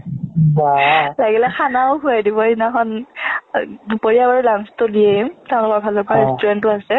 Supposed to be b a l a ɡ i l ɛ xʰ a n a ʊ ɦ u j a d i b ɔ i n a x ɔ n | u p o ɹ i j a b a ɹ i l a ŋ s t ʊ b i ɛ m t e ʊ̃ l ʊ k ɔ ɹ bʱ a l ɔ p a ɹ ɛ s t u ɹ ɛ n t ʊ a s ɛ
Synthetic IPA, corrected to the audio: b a l a ɡ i l ɛ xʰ a n a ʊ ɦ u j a d i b ɔ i n a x ɔ n | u p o ɹ i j a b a ɹ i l a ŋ s t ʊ d i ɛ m t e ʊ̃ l ʊ k ɔ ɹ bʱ a l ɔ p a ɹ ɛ s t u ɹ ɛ n t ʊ a s ɛ